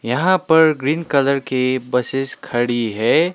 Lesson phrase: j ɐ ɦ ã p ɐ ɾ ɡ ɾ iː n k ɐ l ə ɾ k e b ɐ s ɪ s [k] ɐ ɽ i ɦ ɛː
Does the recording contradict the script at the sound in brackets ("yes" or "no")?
yes